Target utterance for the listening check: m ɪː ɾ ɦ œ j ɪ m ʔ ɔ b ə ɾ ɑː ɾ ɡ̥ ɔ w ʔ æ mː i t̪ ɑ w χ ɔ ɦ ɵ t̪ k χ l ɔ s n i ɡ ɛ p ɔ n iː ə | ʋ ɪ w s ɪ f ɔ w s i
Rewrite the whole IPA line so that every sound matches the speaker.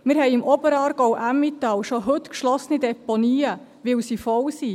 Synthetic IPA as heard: m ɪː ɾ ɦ ɛ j ɪ m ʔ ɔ b ə ɾ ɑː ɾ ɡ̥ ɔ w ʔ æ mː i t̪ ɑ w ʃ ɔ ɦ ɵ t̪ k ʃ l ɔ s n i d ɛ p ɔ n iː ə | ʋ ɪ w s i f ɔ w s i